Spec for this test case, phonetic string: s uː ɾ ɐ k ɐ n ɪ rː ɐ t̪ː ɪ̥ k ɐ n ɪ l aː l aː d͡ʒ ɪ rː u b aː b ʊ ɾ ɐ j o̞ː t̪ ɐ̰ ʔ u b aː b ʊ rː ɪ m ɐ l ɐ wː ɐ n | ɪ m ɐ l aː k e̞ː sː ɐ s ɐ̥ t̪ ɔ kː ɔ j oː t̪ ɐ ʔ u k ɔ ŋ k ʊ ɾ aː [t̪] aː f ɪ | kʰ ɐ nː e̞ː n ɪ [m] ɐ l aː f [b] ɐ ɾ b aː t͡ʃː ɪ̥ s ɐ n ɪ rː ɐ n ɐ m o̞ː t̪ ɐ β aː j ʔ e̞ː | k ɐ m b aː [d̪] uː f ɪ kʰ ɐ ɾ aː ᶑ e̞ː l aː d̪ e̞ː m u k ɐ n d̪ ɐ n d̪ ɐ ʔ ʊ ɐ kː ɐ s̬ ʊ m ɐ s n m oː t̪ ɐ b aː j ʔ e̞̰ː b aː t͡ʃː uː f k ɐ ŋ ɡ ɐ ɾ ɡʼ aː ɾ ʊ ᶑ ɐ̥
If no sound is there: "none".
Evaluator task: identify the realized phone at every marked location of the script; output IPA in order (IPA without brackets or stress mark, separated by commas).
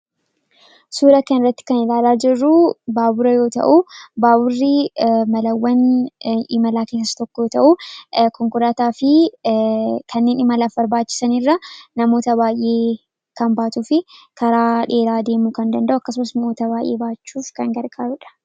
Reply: t̪, m, b, t̪